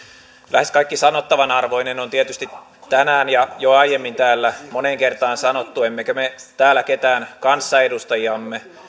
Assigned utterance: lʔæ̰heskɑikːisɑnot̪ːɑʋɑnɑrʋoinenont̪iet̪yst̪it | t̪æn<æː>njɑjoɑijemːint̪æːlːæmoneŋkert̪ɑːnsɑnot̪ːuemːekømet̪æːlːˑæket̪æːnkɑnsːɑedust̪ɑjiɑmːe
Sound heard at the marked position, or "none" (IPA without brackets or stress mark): æː